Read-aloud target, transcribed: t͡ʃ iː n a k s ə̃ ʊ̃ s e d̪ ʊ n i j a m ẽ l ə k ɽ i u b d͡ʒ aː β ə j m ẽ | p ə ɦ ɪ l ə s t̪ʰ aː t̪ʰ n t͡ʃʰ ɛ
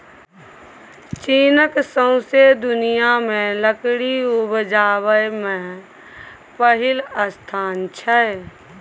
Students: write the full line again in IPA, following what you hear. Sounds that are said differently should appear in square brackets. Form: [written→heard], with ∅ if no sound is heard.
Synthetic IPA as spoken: t͡ʃ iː n [a→ə] k s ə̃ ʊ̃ s e d̪ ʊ n i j a m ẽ l ə k ɽ i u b d͡ʒ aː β ə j m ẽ | p ə ɦ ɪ l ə s t̪ʰ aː [t̪ʰ→∅] n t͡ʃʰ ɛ